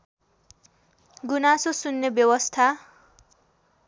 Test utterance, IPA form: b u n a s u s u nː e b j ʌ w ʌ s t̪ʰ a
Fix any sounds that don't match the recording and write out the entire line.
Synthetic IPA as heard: ɡ u n a s o s u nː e b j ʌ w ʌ s t̪ʰ a